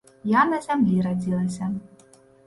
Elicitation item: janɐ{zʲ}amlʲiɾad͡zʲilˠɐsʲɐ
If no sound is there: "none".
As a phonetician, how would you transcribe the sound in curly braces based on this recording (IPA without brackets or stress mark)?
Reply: zʲ